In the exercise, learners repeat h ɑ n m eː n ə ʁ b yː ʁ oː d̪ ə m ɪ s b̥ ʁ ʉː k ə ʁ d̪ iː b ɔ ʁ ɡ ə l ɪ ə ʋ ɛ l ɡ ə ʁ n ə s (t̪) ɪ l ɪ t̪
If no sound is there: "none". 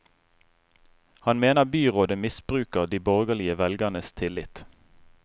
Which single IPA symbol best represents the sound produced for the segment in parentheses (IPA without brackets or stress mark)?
t̪ʰ